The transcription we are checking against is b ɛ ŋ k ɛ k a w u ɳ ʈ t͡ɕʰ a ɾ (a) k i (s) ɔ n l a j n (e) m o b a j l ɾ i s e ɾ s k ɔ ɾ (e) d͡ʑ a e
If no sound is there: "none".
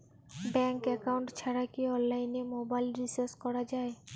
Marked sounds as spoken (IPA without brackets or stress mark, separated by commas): a, none, e, a